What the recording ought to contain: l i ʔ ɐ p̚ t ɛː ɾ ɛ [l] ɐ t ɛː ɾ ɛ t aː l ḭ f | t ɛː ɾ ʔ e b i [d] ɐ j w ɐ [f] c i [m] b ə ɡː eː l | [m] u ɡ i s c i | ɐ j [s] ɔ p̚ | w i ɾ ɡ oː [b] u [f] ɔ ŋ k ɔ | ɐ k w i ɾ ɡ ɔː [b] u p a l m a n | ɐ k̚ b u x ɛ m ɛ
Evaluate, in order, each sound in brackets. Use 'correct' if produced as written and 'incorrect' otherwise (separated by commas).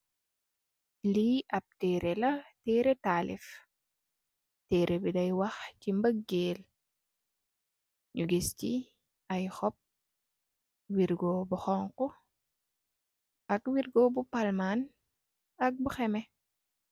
correct, correct, incorrect, correct, incorrect, incorrect, correct, incorrect, correct